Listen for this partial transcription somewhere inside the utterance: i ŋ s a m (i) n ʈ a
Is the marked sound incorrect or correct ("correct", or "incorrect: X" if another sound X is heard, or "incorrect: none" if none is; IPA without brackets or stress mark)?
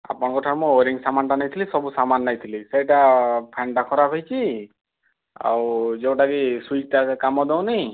incorrect: a